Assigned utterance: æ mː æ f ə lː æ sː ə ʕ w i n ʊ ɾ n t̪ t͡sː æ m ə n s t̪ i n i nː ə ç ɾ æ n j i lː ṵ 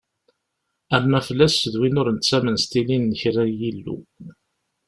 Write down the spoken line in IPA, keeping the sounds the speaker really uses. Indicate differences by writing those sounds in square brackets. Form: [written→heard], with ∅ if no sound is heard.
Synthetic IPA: æ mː æ f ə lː æ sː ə [ʕ→ð] w i n ʊ ɾ n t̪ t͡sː æ m ə n s t̪ i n i nː ə ç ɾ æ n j i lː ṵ